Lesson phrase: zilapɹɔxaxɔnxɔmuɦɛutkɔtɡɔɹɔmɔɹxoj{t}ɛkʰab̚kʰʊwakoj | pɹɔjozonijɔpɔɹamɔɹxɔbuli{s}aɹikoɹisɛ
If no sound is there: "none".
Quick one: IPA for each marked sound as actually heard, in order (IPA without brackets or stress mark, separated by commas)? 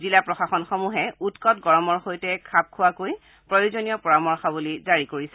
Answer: t, z